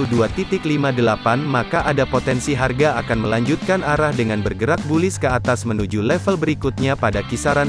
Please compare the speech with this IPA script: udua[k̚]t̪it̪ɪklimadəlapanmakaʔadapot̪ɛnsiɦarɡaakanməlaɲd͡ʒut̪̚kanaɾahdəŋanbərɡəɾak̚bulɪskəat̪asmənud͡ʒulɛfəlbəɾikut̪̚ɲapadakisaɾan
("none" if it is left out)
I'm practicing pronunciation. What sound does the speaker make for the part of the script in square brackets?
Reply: none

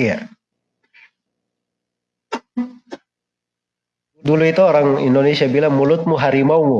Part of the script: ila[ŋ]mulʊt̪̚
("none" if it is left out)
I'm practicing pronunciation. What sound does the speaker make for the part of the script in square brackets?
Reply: ŋ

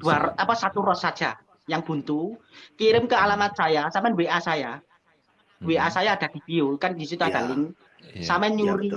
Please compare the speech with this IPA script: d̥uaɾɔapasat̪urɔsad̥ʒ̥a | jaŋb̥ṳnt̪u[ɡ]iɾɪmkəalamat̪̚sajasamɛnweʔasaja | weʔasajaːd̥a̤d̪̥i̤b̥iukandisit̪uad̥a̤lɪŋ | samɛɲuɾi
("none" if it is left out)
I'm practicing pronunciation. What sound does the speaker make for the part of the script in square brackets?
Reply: k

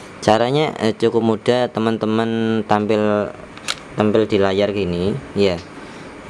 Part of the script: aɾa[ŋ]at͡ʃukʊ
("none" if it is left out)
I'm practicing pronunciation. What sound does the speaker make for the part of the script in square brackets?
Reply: ɲ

